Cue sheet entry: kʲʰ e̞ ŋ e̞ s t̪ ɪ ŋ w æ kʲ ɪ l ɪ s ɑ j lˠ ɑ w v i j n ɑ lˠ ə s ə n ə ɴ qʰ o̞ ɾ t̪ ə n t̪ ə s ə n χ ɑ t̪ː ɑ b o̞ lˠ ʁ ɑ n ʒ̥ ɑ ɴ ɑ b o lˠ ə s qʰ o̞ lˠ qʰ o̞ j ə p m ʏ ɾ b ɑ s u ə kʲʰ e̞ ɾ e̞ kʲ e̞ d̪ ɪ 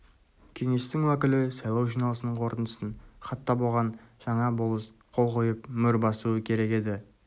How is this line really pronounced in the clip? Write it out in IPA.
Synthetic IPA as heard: kʲʰ e̞ ŋ e̞ s t̪ ɪ ŋ w æ kʲ ɪ l ɪ s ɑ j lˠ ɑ w ʒ i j n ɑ lˠ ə s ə n ə ɴ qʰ o̞ ɾ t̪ ə n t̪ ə s ə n χ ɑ t̪ː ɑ b o̞ lˠ ʁ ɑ n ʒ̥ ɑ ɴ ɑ b o lˠ ə s qʰ o̞ lˠ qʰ o̞ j ə p m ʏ ɾ b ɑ s u ə kʲʰ e̞ ɾ e̞ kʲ e̞ d̪ ɪ